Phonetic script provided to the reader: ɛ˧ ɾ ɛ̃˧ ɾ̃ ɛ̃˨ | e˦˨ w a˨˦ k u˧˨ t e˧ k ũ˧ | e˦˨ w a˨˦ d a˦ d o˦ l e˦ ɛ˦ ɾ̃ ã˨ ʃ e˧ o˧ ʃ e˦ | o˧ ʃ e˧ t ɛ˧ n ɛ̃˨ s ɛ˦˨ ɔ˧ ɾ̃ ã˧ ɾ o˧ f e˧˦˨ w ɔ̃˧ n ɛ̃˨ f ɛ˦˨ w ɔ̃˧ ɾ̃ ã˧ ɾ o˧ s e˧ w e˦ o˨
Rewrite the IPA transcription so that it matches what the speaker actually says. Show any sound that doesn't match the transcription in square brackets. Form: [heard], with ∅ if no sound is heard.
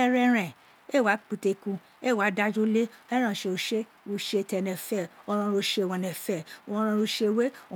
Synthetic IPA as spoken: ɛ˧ ɾ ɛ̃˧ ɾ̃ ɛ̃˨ | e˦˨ w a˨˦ [k͡p] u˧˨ t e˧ k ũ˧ | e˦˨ w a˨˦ d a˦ [d͡ʒ] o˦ l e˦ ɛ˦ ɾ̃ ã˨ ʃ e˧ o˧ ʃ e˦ | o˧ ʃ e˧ t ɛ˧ n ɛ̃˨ [f] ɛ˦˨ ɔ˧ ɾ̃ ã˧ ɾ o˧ [ʃ] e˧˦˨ w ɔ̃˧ n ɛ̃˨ f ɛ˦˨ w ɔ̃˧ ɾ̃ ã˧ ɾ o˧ [ʃ] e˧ w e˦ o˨

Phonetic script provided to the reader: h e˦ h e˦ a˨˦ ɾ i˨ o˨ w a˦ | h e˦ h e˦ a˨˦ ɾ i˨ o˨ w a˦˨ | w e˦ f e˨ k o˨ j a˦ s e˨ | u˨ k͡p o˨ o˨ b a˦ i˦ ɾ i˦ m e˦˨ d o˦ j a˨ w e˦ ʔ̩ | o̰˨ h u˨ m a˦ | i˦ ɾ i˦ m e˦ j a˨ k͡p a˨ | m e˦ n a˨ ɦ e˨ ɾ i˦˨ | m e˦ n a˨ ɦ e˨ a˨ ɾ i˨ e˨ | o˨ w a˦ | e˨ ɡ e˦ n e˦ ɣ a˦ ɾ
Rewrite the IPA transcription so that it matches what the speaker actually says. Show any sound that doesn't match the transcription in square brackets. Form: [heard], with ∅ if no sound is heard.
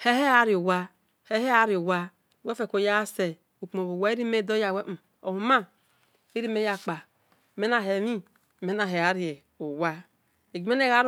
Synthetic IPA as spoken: h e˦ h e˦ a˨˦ ɾ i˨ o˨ w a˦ | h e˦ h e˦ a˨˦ ɾ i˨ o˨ w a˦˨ | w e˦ f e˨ k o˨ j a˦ s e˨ | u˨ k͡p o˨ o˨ [w] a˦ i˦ ɾ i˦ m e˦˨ d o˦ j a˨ w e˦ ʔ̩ | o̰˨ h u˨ m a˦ | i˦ ɾ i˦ m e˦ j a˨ k͡p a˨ | m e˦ n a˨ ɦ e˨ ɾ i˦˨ | m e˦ n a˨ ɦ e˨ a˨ ɾ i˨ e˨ | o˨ w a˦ | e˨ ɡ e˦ n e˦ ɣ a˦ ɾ

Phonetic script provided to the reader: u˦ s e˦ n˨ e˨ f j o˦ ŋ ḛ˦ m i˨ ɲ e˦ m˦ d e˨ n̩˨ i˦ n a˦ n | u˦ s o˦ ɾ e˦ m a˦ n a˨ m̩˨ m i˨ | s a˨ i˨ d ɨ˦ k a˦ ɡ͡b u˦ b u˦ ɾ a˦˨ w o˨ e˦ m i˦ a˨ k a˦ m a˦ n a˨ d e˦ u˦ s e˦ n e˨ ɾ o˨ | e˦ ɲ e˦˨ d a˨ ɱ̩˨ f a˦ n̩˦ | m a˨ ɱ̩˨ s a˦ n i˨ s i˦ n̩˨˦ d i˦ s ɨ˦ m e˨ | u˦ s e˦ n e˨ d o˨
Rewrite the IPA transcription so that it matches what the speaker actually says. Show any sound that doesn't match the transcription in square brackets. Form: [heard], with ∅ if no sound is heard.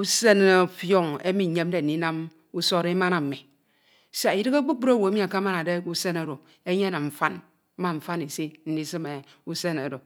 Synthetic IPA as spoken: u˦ s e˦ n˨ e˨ f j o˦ ŋ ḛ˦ m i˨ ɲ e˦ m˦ d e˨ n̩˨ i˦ n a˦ [m] | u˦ s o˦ ɾ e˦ m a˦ n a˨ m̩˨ m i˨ | s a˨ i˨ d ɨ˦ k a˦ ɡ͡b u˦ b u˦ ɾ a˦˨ w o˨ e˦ m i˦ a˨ k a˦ m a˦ n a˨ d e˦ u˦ s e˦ n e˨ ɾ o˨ | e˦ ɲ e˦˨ [n] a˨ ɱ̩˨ f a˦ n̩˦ | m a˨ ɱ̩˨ [f] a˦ n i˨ s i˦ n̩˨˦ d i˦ s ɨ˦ m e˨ | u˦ s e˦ n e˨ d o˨

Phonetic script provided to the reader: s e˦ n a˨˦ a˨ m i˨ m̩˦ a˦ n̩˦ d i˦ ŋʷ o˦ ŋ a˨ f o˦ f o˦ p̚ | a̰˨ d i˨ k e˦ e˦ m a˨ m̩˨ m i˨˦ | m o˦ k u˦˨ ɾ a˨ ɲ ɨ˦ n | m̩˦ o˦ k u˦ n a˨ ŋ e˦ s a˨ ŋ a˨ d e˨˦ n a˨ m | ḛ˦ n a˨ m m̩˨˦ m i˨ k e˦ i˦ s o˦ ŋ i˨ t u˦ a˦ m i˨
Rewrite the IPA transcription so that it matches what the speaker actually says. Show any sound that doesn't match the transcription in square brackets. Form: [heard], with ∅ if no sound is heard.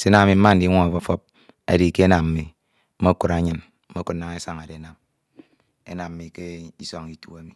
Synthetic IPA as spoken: s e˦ n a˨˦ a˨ m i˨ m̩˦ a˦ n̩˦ d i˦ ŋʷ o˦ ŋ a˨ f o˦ f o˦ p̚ | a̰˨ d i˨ k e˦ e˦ [n] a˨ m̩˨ m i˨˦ | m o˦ k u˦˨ ɾ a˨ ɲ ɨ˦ n | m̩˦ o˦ k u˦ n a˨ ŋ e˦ s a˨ ŋ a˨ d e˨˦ n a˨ m | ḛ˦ n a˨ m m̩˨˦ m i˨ k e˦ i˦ s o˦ ŋ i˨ t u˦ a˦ m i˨

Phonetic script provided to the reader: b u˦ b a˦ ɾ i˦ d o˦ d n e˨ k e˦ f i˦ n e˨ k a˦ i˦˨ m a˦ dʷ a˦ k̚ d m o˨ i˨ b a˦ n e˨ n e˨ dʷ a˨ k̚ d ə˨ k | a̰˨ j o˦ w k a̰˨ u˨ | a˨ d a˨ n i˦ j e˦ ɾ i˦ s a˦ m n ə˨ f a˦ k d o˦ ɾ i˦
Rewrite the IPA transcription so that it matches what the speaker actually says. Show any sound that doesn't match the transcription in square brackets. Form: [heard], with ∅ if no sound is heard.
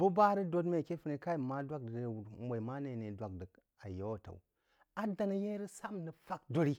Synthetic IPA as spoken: b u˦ b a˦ ɾ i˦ d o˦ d [m] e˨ k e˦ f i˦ n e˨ k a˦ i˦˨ m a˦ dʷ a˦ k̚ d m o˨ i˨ [m] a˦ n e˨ n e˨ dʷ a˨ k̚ d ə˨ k | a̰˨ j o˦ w [t] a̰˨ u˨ | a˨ d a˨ n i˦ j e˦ ɾ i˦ s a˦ m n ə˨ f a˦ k d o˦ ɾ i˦

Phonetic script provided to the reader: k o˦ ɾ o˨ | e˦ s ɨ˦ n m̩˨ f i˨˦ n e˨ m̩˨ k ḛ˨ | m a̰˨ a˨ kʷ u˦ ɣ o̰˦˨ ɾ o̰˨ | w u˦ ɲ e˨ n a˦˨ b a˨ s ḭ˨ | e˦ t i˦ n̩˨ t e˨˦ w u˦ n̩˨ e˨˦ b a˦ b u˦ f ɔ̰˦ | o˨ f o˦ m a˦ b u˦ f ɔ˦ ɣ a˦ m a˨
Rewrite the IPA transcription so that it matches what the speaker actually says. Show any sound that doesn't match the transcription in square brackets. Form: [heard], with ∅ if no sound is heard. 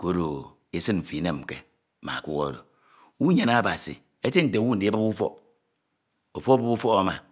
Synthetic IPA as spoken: k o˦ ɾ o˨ | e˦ s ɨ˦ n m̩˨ f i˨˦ n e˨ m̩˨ k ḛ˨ | m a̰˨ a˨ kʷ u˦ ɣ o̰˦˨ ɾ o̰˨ | w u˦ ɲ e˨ n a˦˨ b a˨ s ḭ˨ | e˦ t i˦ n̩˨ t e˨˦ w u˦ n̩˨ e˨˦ b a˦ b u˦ f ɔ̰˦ | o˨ f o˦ [b] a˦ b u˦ f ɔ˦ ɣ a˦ m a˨

